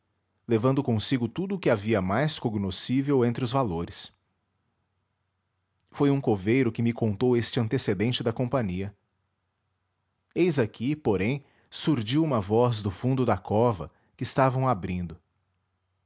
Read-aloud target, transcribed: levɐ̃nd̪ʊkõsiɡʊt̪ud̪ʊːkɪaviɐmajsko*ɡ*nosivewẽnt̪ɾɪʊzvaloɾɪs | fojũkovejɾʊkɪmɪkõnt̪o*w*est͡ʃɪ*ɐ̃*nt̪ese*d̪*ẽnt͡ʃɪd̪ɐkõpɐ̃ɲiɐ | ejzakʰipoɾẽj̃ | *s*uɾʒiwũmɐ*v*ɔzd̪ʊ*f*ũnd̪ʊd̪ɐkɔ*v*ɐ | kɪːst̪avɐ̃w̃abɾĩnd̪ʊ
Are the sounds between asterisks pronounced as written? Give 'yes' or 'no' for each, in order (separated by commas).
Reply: yes, yes, yes, yes, yes, yes, yes, yes